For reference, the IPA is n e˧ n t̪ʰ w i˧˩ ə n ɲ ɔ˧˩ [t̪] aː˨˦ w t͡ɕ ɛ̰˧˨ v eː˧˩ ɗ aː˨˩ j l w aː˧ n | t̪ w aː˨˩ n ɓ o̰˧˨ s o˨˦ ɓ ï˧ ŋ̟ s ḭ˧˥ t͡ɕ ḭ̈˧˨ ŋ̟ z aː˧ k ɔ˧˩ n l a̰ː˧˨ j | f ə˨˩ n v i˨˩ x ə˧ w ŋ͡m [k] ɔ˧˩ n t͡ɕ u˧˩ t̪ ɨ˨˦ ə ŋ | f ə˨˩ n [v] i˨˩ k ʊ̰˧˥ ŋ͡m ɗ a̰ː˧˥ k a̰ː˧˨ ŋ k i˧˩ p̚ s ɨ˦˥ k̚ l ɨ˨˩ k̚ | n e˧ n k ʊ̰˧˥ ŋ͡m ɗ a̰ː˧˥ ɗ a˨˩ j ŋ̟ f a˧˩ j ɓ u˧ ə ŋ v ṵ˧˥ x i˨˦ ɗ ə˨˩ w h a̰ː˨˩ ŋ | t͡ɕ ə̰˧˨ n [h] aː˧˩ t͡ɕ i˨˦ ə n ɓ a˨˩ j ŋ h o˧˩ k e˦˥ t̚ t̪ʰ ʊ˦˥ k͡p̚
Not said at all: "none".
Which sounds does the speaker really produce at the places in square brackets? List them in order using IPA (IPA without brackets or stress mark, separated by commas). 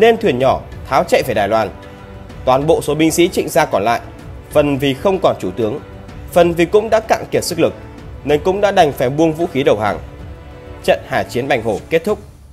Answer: t̪ʰ, k, v, h